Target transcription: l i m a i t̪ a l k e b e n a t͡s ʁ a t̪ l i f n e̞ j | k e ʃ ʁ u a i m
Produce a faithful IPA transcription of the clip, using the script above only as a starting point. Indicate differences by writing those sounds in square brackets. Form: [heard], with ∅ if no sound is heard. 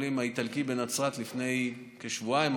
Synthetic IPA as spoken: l i m a i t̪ a l k [i] b e n a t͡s ʁ a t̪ l i f n e̞ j | k e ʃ [v] u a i m